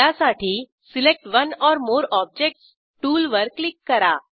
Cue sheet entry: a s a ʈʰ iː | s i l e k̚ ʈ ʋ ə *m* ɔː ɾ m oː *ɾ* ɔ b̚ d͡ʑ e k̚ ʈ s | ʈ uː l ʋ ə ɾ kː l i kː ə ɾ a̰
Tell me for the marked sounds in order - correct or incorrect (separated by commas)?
incorrect, correct